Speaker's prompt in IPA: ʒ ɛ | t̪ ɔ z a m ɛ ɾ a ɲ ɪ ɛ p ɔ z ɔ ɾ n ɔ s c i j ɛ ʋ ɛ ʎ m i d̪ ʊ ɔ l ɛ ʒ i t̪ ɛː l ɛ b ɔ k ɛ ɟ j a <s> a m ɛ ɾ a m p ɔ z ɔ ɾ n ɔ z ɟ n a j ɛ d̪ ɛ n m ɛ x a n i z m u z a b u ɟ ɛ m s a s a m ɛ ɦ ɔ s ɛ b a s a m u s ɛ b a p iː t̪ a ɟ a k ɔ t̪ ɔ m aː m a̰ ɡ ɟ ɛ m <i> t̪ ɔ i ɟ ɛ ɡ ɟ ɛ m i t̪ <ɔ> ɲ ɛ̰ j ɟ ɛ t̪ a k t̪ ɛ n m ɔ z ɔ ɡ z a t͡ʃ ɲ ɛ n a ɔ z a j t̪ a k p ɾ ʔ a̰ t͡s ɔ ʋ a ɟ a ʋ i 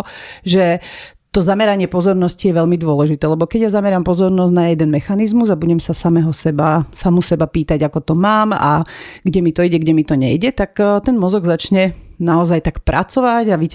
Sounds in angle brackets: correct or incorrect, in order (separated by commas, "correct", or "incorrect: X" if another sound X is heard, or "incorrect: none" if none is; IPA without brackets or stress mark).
incorrect: z, correct, correct